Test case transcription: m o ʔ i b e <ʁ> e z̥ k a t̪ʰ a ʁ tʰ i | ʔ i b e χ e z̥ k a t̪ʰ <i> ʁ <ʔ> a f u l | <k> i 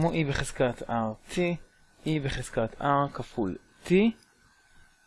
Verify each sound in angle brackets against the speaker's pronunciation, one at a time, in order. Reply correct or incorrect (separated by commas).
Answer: incorrect, incorrect, incorrect, incorrect